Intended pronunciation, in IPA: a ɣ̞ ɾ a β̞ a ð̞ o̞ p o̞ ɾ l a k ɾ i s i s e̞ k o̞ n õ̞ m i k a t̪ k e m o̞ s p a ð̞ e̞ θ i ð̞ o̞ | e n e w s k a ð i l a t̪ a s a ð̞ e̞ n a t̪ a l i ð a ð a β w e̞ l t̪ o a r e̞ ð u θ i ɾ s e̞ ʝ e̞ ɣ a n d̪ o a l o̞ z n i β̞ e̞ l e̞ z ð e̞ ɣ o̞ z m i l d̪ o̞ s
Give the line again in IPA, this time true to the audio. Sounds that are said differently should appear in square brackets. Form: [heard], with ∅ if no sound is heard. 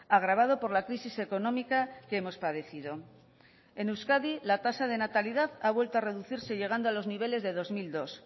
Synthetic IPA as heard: a ɣ̞ ɾ a β̞ a ð̞ o̞ p o̞ ɾ l a k ɾ i s i s e̞ k o̞ n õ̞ m i k a [∅] k e m o̞ s p a ð̞ e̞ θ i ð̞ o̞ | e n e w s k a ð i l a t̪ a s a ð̞ e̞ n a t̪ a l i ð a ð a β w e̞ l t̪ o a r e̞ ð u θ i ɾ s e̞ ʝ e̞ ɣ a n d̪ o a l o̞ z n i β̞ e̞ l e̞ z ð e̞ [ð] o̞ z m i l d̪ o̞ s